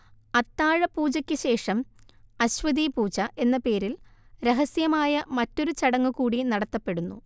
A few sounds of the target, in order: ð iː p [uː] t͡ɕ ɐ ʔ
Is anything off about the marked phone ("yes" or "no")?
no